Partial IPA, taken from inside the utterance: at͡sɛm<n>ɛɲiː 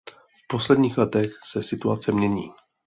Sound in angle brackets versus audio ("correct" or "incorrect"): incorrect